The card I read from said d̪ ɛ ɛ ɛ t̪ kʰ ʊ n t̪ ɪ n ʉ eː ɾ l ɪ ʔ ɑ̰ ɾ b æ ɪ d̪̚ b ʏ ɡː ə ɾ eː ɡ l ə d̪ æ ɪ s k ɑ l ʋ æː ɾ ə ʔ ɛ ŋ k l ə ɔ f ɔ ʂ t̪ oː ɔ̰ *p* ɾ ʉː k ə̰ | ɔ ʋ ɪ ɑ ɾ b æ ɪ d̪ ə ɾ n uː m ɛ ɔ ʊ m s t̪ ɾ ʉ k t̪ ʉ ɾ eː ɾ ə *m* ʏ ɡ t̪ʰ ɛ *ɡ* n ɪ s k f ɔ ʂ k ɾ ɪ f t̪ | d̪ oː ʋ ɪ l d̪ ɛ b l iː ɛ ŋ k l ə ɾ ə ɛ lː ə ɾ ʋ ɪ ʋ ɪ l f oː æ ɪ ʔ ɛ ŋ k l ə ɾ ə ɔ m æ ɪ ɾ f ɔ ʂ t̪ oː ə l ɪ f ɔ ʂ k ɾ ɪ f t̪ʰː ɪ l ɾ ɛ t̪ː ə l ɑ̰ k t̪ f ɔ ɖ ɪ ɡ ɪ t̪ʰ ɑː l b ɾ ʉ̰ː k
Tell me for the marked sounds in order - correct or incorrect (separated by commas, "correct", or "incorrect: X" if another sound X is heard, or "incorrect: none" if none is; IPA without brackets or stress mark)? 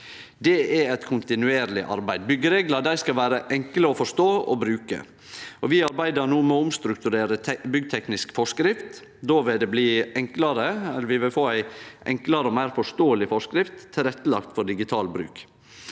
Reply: incorrect: b, incorrect: b, incorrect: k